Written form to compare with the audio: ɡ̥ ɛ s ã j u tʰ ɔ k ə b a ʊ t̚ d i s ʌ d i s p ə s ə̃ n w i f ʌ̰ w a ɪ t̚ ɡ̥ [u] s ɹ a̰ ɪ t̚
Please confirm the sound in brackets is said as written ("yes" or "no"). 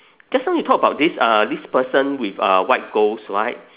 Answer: no